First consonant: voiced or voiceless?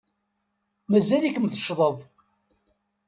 voiced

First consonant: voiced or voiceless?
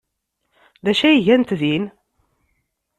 voiced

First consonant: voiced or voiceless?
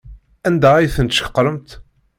voiced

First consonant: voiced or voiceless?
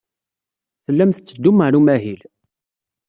voiceless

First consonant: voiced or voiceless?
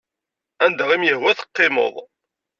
voiced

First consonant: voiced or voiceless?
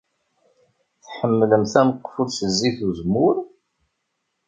voiceless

